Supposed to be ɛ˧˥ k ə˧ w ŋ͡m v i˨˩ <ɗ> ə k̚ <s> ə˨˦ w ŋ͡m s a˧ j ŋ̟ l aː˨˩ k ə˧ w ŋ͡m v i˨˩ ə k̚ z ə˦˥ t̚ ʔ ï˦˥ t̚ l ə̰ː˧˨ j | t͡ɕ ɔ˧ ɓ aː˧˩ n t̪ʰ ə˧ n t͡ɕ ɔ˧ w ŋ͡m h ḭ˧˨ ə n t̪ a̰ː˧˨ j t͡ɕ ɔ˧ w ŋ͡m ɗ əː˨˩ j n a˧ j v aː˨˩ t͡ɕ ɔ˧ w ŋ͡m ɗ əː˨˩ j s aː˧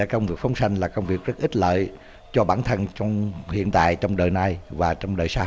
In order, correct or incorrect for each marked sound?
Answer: incorrect: none, incorrect: f

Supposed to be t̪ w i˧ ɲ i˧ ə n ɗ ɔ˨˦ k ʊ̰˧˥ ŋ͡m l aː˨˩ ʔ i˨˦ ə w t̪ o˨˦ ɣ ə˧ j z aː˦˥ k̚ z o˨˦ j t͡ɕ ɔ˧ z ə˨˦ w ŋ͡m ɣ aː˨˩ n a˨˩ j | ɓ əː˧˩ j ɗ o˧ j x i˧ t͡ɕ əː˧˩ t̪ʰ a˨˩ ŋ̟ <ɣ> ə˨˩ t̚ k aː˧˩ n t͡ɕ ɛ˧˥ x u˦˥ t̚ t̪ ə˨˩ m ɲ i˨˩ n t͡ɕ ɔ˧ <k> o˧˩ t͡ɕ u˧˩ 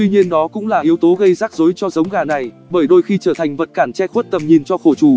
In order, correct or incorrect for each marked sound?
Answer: incorrect: v, incorrect: x

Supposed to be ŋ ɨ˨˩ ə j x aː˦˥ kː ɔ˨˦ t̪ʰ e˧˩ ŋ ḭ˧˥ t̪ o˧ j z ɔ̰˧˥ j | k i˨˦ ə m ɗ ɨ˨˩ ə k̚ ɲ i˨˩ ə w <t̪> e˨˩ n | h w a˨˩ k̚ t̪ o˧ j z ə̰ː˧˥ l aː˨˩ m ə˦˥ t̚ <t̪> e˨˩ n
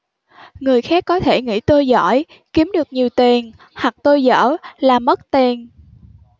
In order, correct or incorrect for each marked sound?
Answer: correct, correct

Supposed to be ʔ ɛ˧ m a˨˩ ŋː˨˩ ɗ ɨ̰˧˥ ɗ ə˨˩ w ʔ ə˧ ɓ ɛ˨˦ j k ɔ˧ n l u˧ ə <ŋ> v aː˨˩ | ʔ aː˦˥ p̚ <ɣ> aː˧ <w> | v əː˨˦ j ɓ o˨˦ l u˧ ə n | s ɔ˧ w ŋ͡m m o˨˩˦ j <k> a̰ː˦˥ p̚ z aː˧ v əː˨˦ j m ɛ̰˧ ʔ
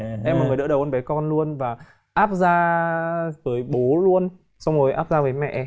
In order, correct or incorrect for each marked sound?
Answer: incorrect: n, incorrect: z, incorrect: none, incorrect: ʔ

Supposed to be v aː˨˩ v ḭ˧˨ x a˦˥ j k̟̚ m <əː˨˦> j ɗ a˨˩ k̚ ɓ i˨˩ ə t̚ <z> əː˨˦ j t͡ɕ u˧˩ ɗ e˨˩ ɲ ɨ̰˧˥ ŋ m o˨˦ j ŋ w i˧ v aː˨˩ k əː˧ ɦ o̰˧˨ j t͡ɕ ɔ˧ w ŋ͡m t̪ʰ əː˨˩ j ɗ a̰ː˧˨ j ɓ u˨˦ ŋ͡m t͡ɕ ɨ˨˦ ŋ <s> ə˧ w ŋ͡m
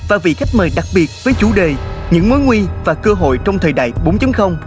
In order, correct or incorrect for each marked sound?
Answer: incorrect: əː˨˩, incorrect: v, incorrect: x

